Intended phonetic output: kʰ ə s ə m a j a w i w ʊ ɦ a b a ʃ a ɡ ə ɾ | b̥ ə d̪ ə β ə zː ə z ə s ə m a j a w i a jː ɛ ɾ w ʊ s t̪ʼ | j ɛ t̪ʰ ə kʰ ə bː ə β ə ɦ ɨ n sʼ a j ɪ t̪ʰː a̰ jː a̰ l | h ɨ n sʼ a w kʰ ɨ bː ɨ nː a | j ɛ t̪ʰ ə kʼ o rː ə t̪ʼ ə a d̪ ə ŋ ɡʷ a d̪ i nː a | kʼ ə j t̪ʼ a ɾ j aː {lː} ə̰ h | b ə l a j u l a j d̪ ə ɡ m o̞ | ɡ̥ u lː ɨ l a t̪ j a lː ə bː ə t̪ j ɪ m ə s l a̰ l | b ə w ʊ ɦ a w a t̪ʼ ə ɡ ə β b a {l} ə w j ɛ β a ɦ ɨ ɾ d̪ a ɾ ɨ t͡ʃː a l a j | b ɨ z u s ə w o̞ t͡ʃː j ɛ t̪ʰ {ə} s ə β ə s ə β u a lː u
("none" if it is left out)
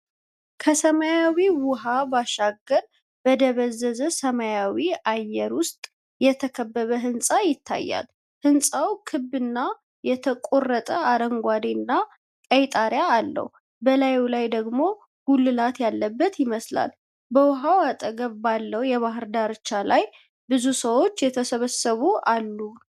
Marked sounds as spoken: lː, lː, ə

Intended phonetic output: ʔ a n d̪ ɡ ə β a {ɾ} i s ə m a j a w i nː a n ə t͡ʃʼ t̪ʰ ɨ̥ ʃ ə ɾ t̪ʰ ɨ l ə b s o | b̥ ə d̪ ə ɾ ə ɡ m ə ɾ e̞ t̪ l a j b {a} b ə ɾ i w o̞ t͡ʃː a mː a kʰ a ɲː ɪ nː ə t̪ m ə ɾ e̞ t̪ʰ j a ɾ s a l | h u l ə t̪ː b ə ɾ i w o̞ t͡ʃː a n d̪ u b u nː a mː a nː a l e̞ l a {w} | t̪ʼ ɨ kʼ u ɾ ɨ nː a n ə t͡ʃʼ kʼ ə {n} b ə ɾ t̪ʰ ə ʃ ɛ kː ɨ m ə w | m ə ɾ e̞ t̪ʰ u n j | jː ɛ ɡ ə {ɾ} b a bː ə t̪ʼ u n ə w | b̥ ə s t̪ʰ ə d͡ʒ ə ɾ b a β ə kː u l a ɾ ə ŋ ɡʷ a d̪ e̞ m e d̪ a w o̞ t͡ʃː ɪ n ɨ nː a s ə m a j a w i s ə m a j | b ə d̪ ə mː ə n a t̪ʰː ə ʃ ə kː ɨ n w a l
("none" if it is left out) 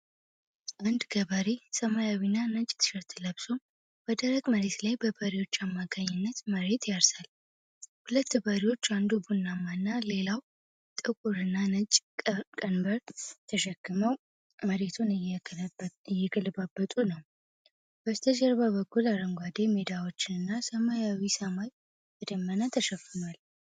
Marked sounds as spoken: ɾ, ə, w, n, l

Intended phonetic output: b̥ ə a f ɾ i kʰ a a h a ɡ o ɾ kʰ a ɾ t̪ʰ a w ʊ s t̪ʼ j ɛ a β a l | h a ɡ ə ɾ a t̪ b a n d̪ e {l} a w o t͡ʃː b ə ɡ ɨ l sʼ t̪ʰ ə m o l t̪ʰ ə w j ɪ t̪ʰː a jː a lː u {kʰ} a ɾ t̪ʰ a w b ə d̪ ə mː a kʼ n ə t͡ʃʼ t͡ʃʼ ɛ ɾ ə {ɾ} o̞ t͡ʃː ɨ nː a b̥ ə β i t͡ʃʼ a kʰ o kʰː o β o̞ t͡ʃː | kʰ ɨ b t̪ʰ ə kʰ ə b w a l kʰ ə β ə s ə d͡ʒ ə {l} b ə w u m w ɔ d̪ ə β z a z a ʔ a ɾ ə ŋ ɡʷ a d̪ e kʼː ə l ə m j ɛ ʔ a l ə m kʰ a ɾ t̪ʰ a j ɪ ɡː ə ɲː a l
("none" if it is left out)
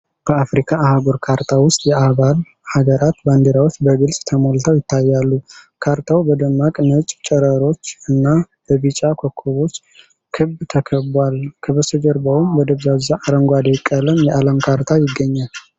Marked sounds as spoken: ɾ, kʰ, ɾ, ɾ

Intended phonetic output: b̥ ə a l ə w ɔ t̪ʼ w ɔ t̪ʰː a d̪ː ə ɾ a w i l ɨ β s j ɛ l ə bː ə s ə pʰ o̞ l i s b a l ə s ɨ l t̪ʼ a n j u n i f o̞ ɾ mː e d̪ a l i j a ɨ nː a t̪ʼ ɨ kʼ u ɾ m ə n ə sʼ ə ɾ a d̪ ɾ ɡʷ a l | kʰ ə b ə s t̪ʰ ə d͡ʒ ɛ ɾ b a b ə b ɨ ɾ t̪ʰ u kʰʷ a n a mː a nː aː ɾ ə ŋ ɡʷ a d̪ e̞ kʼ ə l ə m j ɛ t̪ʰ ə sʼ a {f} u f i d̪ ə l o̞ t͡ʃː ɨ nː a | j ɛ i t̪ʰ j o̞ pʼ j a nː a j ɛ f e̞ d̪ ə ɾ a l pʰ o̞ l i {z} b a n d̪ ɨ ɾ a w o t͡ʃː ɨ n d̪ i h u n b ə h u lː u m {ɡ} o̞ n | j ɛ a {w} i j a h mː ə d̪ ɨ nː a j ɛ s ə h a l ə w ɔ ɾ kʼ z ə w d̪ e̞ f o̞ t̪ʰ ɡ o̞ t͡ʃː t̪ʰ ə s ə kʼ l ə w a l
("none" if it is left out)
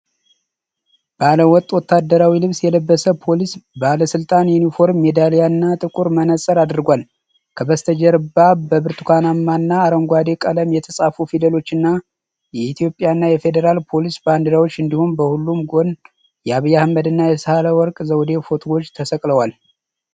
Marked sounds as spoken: f, s, ɡ, β

